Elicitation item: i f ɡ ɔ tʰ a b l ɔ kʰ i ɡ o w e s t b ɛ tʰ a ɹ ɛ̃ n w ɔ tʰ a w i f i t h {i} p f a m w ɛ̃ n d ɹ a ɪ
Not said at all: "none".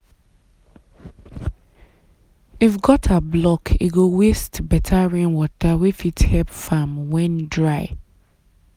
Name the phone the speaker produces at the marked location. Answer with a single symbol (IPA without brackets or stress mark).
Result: ɛ